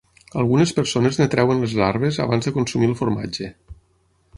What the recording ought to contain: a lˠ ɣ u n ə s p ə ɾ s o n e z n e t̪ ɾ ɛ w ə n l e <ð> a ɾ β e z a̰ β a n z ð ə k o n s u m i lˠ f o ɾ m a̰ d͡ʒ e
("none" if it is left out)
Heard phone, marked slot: z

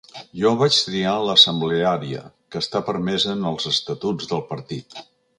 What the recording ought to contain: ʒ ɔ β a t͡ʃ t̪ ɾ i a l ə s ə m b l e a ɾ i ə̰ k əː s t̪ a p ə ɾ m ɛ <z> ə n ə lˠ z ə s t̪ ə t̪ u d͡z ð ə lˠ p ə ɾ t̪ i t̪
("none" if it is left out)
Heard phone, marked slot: z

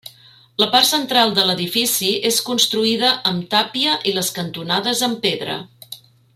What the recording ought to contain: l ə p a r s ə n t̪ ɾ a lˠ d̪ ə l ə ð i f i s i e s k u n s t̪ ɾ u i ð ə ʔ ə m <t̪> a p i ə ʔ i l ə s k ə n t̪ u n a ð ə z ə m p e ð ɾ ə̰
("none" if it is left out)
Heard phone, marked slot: t̪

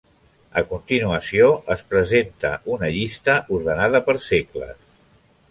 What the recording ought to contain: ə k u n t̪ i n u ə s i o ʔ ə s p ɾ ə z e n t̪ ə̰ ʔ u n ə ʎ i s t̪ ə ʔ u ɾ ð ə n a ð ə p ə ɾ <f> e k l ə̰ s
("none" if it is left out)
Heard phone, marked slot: s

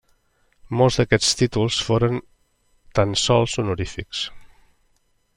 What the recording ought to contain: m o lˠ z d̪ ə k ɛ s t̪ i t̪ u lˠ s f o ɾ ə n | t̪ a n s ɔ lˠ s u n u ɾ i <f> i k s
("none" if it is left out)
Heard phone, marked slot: f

